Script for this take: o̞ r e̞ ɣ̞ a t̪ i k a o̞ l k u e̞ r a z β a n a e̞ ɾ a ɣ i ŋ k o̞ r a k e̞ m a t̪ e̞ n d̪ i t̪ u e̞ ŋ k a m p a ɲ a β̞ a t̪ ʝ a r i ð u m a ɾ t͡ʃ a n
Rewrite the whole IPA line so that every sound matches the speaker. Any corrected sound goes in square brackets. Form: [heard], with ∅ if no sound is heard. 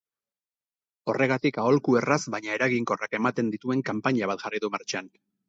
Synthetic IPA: o̞ r e̞ ɣ̞ a t̪ i k a o̞ l k u e̞ r a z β a [ɲ] a e̞ ɾ a ɣ i ŋ k o̞ r a k e̞ m a t̪ e̞ n d̪ i t̪ u e̞ ŋ k a m p a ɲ a β̞ a t̪ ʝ a r i ð u m a ɾ t͡ʃ a n

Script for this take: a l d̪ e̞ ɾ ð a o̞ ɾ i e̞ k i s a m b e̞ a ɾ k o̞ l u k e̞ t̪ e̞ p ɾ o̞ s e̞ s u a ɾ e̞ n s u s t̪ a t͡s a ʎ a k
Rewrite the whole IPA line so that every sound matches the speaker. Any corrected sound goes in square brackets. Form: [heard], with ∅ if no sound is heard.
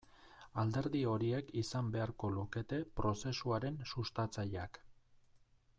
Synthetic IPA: a l d̪ e̞ ɾ ð [i] o̞ ɾ i e̞ k i s a m b e̞ a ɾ k o̞ l u k e̞ t̪ e̞ p ɾ o̞ s e̞ s u a ɾ e̞ n s u s t̪ a t͡s a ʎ a k

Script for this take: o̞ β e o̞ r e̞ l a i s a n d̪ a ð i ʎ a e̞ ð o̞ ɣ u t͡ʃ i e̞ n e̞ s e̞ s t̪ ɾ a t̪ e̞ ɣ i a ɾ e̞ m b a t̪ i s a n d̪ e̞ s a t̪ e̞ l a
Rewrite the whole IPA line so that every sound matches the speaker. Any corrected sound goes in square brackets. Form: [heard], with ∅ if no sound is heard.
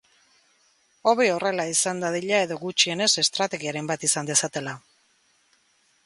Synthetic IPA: o̞ β e o̞ r e̞ l a i s a n d̪ a ð i ʎ a e̞ ð o̞ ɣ u t͡ʃ i e̞ n e̞ s e̞ s t̪ ɾ a t̪ e̞ ɣ i a ɾ e̞ m b a t̪ i s a n d̪ e̞ s a t̪ e̞ l a

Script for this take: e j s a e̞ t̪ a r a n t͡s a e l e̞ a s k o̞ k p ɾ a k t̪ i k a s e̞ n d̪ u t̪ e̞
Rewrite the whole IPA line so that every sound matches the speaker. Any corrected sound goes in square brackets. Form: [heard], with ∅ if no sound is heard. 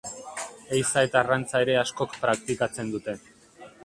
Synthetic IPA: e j s a e̞ t̪ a r a n t͡s a e [ɾ] e̞ a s k o̞ k p ɾ a k t̪ i k a [t͡s] e̞ n d̪ u t̪ e̞

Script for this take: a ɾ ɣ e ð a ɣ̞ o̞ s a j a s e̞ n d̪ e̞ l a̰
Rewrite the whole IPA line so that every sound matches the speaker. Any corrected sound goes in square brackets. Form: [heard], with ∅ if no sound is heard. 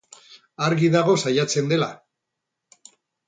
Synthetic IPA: a ɾ ɣ [i] ð a ɣ̞ o̞ s a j a [t͡s] e̞ n d̪ e̞ l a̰

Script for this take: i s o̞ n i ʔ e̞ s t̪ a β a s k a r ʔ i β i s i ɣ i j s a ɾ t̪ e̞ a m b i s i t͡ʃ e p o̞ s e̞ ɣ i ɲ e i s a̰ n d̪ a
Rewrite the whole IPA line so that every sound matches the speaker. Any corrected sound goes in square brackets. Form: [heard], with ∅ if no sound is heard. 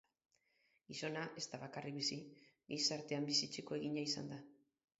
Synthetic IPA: i s o̞ n [a] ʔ e̞ s t̪ a β a [∅] k a r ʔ i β i s i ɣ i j s a ɾ t̪ e̞ a m b i s i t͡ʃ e [k] o̞ [∅] e̞ ɣ i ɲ [a] i s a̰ n d̪ a

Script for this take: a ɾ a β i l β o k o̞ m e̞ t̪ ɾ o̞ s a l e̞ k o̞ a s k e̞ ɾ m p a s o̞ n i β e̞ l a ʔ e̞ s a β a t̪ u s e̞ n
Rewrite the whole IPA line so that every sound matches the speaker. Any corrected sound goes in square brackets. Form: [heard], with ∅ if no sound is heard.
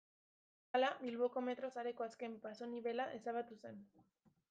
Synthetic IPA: a [l] a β i l β o k o̞ m e̞ t̪ ɾ o̞ s a [ɾ] e̞ k o̞ a s k e̞ [∅] m p a s o̞ n i β e̞ l a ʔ e̞ s a β a t̪ u s e̞ n

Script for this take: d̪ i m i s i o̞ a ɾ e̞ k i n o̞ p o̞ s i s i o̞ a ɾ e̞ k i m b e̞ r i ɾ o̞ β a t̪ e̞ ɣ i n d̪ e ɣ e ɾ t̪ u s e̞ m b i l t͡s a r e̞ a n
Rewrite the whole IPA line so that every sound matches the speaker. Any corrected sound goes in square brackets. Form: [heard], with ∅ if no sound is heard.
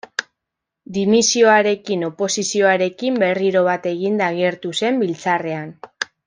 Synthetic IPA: d̪ i m i s i o̞ a ɾ e̞ k i n o̞ p o̞ s i s i o̞ a ɾ e̞ k i m b e̞ r i ɾ o̞ β a t̪ e̞ ɣ i n d̪ [a] ɣ e ɾ t̪ u s e̞ m b i l t͡s a r e̞ a n

